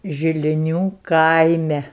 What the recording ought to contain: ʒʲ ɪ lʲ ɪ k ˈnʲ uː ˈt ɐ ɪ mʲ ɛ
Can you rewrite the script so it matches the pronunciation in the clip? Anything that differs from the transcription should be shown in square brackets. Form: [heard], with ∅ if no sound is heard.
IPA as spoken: ʒʲ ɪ lʲ ɪ [∅] ˈnʲ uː [ˈk] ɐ ɪ mʲ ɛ